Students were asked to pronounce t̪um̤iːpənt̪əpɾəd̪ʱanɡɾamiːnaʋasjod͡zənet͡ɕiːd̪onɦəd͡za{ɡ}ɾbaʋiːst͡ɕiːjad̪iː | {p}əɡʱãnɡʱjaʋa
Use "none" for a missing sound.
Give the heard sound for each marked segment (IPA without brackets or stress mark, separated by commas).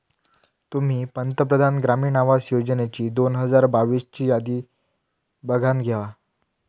none, b